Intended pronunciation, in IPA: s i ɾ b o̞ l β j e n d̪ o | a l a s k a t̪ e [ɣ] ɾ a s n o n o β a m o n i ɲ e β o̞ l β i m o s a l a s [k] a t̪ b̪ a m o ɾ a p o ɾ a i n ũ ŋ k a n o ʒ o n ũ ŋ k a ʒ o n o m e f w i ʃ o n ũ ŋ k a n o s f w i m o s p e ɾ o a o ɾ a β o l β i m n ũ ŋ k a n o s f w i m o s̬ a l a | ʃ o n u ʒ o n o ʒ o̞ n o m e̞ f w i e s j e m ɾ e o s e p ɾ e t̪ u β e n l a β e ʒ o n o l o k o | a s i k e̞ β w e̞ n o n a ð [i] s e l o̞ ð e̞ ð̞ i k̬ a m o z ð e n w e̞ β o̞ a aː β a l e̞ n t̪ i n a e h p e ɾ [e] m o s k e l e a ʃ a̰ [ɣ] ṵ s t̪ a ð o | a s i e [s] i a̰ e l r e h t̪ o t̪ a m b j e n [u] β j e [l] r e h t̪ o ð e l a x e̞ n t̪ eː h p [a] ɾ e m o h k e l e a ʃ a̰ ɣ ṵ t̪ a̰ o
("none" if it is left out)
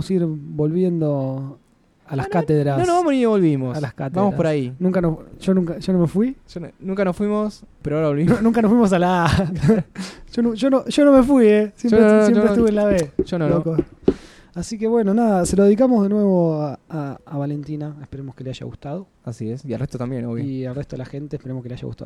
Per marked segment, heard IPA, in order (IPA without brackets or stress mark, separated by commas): ð, k, a, e, ɣ, s, o, l, e